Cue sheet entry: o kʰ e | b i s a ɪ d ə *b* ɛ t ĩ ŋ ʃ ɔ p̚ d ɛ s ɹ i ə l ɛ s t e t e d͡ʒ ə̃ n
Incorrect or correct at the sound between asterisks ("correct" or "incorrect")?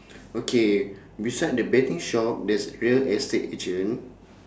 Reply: correct